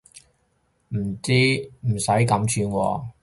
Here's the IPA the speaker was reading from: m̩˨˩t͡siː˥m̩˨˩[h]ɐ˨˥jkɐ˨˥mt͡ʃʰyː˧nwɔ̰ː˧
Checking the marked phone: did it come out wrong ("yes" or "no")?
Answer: yes